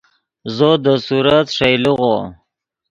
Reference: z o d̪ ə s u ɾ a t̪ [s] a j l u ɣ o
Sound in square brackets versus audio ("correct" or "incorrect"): incorrect